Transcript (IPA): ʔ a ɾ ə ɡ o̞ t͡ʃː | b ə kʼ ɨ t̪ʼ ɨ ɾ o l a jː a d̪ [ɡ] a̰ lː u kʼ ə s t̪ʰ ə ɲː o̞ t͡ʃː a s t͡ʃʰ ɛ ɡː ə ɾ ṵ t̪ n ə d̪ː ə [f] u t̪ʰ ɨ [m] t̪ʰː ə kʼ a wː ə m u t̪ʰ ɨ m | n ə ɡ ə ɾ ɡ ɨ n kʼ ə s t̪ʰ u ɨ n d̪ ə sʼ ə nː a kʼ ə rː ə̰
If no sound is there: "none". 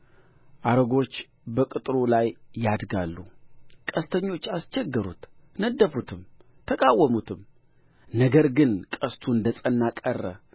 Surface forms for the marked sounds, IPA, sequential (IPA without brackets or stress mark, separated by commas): ɡ, f, m